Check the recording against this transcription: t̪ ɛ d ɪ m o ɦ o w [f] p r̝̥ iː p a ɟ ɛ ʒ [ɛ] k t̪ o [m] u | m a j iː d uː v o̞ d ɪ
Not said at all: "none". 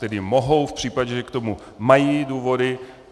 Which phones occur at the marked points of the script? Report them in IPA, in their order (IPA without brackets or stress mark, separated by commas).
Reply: f, ɛ, m